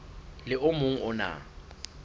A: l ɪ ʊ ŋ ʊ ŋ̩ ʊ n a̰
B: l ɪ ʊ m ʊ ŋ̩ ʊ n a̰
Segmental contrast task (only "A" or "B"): B